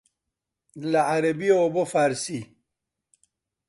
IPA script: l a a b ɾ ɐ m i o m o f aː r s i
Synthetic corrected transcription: l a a ɾ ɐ b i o b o f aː ɾ s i